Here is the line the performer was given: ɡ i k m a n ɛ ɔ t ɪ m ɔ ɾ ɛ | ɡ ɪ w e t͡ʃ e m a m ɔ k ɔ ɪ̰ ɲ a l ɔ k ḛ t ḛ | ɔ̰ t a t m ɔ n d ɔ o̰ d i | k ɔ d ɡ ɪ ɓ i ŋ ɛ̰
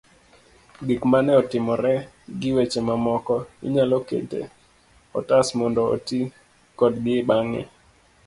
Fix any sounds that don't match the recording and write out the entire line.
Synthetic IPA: ɡ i k m a n ɛ ɔ t ɪ m ɔ ɾ ɛ | ɡ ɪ w e t͡ʃ e m a m ɔ k ɔ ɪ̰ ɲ a l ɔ k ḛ t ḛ | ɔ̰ t a s m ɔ n d ɔ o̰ t i | k ɔ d ɡ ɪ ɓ a ŋ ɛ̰